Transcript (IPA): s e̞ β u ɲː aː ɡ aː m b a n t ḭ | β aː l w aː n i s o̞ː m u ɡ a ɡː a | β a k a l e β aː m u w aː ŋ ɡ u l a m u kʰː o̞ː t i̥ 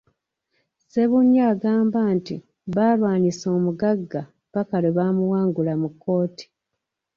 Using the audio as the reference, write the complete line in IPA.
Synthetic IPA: s e̞ β u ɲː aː ɡ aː m b a n t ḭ | β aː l w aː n i s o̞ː m u ɡ a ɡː a | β a k a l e β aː m u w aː ŋ ɡ u l a m u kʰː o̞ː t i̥